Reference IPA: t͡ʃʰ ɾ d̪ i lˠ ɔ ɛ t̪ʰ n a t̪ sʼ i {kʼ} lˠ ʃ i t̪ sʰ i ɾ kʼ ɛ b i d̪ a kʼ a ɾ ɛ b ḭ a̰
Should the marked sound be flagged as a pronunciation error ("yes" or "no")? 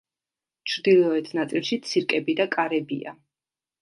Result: yes